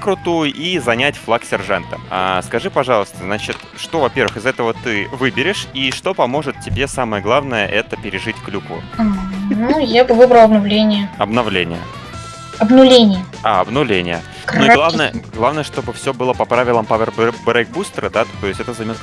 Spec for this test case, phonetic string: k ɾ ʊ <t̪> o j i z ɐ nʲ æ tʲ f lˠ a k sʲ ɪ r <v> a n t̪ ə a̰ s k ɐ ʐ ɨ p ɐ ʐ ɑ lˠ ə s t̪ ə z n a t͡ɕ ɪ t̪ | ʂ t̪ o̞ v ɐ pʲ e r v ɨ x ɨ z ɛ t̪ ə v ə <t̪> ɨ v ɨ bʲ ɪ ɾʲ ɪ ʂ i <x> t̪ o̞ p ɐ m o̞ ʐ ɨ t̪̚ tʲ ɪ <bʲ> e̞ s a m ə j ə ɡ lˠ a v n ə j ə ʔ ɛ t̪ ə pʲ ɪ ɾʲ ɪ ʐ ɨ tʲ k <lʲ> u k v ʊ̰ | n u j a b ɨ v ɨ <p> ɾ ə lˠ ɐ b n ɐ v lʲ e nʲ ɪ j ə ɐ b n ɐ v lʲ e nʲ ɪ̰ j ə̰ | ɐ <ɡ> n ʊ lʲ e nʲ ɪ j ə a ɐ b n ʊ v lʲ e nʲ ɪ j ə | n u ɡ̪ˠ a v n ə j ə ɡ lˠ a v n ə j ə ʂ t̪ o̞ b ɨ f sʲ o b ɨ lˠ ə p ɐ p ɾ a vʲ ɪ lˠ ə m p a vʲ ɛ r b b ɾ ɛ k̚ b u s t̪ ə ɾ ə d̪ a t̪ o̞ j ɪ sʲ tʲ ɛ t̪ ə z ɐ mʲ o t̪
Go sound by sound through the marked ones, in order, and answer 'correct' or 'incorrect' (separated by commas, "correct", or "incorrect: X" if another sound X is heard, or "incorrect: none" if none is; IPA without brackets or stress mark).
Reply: correct, incorrect: ʐ, correct, incorrect: ʂ, correct, correct, incorrect: b, incorrect: b